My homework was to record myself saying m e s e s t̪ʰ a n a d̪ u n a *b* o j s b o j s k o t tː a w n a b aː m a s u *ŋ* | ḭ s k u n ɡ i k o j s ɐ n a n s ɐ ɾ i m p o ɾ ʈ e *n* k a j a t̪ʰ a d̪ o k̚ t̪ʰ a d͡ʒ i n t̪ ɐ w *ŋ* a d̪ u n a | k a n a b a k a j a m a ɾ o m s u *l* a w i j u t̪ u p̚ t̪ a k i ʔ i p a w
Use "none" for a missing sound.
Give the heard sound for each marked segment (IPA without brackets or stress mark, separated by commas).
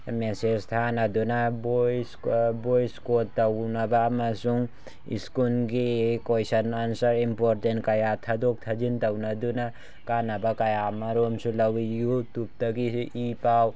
b, ŋ, n, n, l